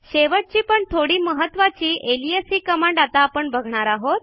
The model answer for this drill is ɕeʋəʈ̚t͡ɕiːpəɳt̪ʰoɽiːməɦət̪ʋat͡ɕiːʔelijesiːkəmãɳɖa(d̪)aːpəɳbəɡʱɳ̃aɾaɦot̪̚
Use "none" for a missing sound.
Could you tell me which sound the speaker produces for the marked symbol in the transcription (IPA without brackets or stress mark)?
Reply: t̪